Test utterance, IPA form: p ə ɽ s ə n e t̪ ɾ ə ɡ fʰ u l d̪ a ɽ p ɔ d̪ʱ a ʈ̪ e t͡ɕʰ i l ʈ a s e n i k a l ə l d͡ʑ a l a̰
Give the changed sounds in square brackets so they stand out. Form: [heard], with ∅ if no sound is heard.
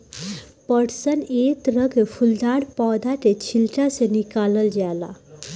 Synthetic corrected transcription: p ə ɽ s ə n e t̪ ɾ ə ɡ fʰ u l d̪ a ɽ p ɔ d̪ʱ a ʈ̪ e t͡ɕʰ i l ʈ a s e n i k a l ə l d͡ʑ a l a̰